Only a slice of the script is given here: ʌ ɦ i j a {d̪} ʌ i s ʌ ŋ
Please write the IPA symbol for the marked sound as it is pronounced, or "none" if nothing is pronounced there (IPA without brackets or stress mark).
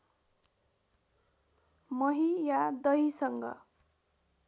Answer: d̪